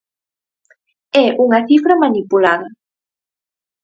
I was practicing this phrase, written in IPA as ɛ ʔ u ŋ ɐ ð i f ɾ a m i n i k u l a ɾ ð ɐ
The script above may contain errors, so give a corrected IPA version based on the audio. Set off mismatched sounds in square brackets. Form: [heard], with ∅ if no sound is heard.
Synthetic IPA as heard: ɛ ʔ u ŋ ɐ [θ] i f ɾ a m [a] n i [p] u l a [∅] ð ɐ